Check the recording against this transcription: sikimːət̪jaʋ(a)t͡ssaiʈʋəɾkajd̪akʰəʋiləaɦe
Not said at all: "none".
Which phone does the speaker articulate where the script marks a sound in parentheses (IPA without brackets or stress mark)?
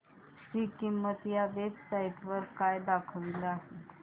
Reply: e